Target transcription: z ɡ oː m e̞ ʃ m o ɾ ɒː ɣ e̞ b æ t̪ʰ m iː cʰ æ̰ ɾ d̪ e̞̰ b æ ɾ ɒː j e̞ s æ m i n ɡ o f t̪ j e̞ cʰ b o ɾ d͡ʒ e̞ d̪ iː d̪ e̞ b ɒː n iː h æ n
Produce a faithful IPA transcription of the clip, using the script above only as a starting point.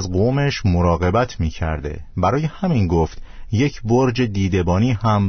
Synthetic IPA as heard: z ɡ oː m e̞ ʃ m o ɾ ɒː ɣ e̞ b æ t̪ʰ m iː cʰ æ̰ ɾ d̪ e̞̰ b æ ɾ ɒː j e̞ h æ m i n ɡ o f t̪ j e̞ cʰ b o ɾ d͡ʒ e̞ d̪ iː d̪ e̞ b ɒː n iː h æ m